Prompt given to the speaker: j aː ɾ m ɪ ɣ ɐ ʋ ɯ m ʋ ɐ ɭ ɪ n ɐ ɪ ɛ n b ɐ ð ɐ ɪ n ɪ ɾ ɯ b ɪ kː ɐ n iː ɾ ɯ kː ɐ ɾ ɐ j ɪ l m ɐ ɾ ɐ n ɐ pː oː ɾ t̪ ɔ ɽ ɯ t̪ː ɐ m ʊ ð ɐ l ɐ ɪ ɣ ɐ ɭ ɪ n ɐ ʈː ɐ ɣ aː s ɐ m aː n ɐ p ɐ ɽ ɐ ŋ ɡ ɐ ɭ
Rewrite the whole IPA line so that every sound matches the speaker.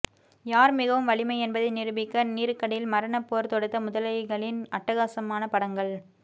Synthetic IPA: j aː ɾ m ɪ ɣ ɐ ʋ ɯ m ʋ ɐ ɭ ɪ m ɐ ɪ ɛ n b ɐ ð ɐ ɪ n ɪ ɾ ɯ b ɪ kː ɐ n iː ɾ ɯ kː ɐ ɽ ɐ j ɪ l m ɐ ɾ ɐ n ɐ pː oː ɾ t̪ ɔ ɽ ɯ t̪ː ɐ m ʊ ð ɐ l ɐ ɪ ɣ ɐ ɭ ɪ n ɐ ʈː ɐ ɣ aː s ɐ m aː n ɐ p ɐ ɽ ɐ ŋ ɡ ɐ ɭ

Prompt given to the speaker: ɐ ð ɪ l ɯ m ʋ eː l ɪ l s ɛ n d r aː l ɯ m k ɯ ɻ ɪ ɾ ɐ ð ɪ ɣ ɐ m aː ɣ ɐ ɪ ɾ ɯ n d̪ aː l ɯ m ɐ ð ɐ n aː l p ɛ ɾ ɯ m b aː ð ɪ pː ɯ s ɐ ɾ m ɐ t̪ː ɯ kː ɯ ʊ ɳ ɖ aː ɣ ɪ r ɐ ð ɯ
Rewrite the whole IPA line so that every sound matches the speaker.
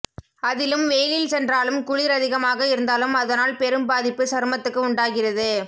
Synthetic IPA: ɐ ð ɪ l ɯ m ʋ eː l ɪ l s ɛ n d r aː l ɯ m k ʊ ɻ ɪ ɾ ɐ ð ɪ ɣ ɐ m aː ɣ ɐ ɪ ɾ ɯ n d̪ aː l ɯ m ɐ ð ɐ n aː l p ɛ ɾ ɯ m b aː ð ɪ pː ɯ s ɐ ɾ m ɐ t̪ː ɯ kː ɯ ʊ ɳ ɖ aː ɣ ɪ r ɐ ð ɯ

